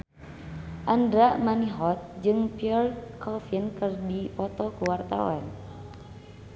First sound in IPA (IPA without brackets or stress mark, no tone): ʔ